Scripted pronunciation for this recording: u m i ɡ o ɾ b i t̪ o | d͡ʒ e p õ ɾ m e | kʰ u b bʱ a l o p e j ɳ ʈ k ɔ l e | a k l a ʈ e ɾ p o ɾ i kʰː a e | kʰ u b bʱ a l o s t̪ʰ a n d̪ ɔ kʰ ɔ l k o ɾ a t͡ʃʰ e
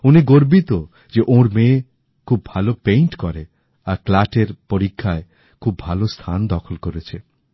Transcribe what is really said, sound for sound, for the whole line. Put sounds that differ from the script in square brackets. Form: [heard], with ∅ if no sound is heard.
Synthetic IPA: u [n] i ɡ o ɾ b i t̪ o | d͡ʒ e [ʔ] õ ɾ m e | kʰ u b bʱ a l o p e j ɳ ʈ k ɔ [ɾ] e | a k l a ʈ e ɾ p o ɾ i kʰː a e | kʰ u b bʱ a l o s t̪ʰ a n d̪ ɔ kʰ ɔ l k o ɾ [e] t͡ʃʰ e